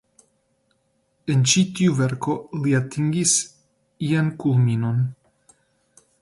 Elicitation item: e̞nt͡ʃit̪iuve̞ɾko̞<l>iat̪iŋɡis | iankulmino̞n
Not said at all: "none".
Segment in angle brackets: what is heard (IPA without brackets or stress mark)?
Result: l